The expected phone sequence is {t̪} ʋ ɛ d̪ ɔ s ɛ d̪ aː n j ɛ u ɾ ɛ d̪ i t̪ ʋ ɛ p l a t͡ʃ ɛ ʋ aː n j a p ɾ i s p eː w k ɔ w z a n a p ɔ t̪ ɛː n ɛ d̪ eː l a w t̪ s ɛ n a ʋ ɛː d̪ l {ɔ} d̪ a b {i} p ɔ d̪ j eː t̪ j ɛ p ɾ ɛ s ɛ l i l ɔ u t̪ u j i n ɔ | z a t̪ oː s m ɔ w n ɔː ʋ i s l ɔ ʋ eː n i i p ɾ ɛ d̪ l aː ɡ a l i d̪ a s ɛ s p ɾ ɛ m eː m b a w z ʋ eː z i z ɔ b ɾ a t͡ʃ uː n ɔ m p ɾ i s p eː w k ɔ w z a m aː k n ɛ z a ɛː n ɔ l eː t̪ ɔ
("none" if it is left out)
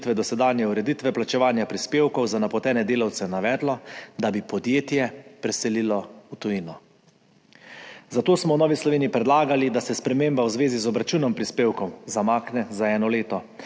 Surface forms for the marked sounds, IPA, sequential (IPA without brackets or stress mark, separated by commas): t̪, ɔ, i